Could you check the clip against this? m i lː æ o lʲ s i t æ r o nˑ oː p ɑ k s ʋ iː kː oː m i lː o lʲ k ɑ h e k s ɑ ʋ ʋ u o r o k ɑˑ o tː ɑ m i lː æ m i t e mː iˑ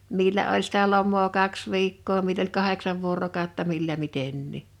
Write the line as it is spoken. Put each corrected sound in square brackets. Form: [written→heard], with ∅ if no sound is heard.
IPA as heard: m i lː æ o lʲ s i t æ [r→l] o [nˑ→mˑ] oː [p→k] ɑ k s ʋ iː kː oː m i lː o lʲ k ɑ h e k s ɑ ʋ ʋ u o r o k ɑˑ o tː ɑ m i lː æ m i t e [mː→nː] iˑ